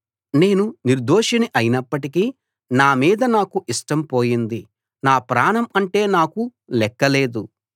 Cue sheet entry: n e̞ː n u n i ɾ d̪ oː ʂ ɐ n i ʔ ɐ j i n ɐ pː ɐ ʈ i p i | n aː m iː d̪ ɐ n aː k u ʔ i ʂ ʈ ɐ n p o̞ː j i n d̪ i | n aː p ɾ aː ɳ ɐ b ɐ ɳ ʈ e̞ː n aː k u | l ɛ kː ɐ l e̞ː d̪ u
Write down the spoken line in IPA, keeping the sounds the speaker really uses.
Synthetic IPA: n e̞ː n u n i ɾ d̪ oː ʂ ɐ n i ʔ ɐ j i n ɐ pː ɐ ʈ i k i | n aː m iː d̪ ɐ n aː k u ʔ i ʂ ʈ ɐ m p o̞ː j i n d̪ i | n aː p ɾ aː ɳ ɐ m ɐ ɳ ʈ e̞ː n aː k u | l ɛ kː ɐ l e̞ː d̪ u

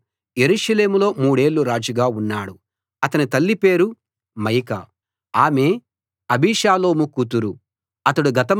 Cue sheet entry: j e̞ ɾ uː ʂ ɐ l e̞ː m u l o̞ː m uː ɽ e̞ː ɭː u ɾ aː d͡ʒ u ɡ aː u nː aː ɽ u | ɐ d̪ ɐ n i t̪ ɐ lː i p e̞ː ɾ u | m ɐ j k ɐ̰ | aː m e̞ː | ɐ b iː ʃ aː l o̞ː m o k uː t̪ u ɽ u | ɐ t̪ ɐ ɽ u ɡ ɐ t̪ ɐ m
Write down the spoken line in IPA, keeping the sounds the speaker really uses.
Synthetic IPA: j e̞ ɾ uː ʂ ɐ l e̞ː m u l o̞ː m uː ɽ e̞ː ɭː u ɾ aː d͡ʒ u ɡ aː u nː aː ɽ u | ɐ t̪ ɐ n i t̪ ɐ lː i p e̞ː ɾ u | m ɐ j k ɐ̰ | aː m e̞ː | ɐ b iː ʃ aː l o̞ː m u k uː t̪ u ɾ u | ɐ t̪ ɐ ɽ u ɡ ɐ t̪ ɐ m

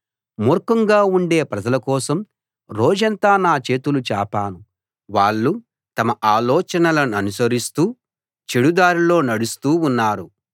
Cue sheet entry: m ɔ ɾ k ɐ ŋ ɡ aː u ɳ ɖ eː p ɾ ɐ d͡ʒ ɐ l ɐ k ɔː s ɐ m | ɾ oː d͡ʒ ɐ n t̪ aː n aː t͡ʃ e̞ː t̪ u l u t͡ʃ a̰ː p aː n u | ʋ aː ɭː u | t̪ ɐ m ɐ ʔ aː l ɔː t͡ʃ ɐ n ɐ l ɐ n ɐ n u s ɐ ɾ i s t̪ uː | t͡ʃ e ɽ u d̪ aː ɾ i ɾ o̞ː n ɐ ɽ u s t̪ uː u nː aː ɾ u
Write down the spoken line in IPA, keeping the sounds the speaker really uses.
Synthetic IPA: m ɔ ɾ k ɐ ŋ ɡ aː u ɳ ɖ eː p ɾ ɐ d͡ʒ ɐ l ɐ k ɔː s ɐ m | ɾ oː d͡ʒ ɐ n t̪ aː n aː t͡ʃ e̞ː t̪ u l u t͡ʃ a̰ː p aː n u | ʋ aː ɭː u | t̪ ɐ m ɐ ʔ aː l ɔː t͡ʃ ɐ n ɐ l ɐ n ɐ n u s ɐ ɾ i s t̪ uː | t͡ʃ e ɽ u d̪ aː ɾ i l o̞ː n ɐ ɽ u s t̪ uː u nː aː ɾ u

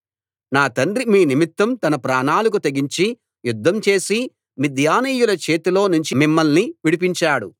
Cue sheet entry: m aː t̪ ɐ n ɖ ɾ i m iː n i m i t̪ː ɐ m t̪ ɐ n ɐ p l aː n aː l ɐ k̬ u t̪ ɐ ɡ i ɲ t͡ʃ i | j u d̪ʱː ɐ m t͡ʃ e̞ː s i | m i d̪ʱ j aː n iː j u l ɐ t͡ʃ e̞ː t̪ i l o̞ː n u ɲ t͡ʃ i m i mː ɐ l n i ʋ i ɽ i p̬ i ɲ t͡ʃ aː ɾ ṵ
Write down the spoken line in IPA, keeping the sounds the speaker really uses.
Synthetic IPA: n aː t̪ ɐ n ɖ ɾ i m iː n i m i t̪ː ɐ m t̪ ɐ n ɐ p ɾ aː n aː l ɐ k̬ u t̪ ɐ ɡ i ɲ t͡ʃ i | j u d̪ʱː ɐ m t͡ʃ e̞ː s i | m i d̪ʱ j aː n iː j u l ɐ t͡ʃ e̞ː t̪ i l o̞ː n u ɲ t͡ʃ i m i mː ɐ l n i ʋ i ɽ i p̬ i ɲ t͡ʃ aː ɽ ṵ

